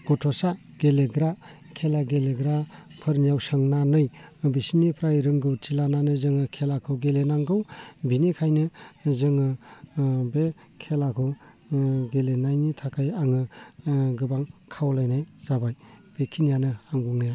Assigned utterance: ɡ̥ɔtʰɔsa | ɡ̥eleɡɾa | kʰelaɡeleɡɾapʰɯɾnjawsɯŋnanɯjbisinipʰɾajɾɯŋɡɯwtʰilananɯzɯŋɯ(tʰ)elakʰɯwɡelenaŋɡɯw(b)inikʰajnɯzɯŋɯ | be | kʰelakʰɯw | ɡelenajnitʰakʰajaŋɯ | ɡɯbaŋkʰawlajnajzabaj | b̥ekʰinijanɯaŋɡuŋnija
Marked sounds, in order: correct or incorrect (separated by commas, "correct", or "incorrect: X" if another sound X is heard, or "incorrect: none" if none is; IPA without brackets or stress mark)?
incorrect: kʰ, correct